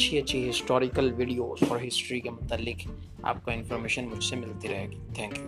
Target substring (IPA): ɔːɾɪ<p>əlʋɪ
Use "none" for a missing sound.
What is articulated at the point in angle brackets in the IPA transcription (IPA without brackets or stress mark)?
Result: k